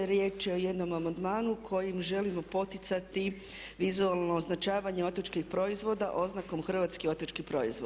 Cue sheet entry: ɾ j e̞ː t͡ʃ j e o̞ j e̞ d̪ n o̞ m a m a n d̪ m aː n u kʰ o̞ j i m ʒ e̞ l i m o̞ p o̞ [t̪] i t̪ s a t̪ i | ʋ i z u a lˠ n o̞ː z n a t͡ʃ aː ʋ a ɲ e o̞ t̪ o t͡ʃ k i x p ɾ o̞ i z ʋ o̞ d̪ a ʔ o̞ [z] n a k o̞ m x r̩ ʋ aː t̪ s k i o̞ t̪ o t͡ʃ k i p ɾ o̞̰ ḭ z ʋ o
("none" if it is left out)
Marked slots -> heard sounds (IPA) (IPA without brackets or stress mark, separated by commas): t̪, z